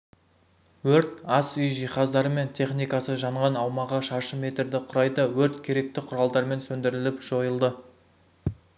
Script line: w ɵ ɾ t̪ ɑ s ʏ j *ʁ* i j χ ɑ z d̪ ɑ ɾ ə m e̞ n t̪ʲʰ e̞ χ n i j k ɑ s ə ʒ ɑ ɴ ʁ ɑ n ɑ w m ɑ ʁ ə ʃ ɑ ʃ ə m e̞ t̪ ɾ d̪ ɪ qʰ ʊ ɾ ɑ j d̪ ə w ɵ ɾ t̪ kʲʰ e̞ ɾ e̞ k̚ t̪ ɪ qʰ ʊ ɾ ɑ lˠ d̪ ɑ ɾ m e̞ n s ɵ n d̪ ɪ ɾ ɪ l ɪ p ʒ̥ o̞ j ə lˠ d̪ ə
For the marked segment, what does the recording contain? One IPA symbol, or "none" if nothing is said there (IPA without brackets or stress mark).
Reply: ʒ